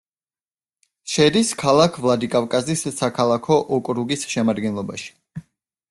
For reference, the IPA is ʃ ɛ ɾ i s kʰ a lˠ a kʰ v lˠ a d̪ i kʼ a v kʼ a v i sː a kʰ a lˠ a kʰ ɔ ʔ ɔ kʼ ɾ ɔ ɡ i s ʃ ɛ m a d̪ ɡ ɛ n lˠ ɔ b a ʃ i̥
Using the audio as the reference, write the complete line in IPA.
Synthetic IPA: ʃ ɛ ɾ i s kʰ a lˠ a kʰ v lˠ a d̪ i kʼ a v kʼ a z i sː a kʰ a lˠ a kʰ ɔ ʔ ɔ kʼ ɾ u ɡ i s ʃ ɛ m a d̪ ɡ ɛ n lˠ ɔ b a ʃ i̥